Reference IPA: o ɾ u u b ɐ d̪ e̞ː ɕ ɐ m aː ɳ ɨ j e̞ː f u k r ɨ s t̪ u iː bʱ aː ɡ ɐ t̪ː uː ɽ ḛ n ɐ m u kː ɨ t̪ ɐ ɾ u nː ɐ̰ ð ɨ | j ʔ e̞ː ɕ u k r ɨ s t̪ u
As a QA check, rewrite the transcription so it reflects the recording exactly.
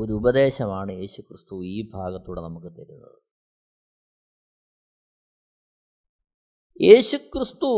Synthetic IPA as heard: o ɾ u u b ɐ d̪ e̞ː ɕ ɐ m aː ɳ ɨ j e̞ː ɕ u k r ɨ s t̪ u iː bʱ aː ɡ ɐ t̪ː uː ɽ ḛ n ɐ m u kː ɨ t̪ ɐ ɾ u nː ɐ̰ ð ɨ | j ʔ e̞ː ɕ u k r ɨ s t̪ u